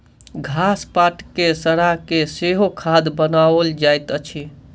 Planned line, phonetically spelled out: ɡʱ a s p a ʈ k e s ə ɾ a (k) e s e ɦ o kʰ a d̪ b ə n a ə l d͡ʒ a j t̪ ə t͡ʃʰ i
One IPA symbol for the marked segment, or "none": k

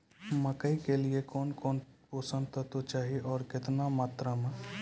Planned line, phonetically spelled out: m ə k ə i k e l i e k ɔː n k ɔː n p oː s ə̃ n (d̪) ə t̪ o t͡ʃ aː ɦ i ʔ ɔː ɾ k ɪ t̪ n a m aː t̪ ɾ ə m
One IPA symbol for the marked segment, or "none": t̪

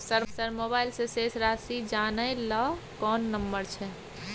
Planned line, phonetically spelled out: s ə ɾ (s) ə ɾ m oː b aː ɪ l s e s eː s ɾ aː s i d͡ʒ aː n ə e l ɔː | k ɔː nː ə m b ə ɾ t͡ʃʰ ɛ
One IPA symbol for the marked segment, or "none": s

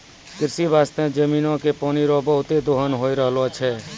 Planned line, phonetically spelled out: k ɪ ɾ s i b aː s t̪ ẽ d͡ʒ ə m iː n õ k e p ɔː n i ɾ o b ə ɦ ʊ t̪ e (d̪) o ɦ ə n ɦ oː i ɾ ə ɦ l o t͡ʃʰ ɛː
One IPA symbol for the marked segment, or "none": d̪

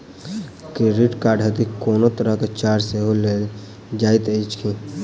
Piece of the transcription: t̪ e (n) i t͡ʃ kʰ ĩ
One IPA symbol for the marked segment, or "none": none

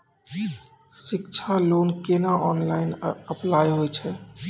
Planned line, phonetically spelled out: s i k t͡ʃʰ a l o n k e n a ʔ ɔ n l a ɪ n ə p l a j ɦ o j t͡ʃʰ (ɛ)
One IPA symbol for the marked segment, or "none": ɛ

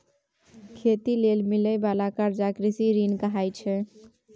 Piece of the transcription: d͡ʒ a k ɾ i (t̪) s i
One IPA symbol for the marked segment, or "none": none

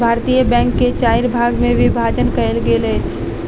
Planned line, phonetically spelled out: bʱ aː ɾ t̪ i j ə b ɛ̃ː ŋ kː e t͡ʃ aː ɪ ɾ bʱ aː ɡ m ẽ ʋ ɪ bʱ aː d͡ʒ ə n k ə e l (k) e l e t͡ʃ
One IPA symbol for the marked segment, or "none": ɡ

